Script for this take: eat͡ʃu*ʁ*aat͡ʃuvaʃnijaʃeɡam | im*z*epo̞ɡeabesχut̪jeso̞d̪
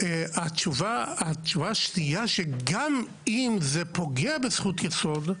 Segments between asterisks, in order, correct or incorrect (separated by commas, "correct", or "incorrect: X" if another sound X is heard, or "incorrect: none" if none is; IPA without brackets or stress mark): incorrect: v, correct